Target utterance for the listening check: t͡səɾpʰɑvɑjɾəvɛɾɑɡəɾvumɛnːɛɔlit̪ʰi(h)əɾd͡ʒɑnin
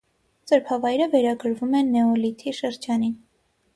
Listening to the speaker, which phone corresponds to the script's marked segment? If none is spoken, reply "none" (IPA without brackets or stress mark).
ʃ